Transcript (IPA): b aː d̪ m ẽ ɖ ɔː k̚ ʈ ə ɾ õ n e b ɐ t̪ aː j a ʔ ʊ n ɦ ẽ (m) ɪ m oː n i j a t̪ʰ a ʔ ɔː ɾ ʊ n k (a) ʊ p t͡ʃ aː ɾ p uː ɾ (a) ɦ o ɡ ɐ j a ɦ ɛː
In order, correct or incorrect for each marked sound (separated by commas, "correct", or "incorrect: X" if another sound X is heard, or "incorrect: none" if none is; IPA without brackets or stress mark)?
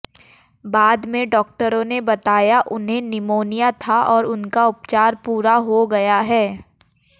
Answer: incorrect: n, correct, correct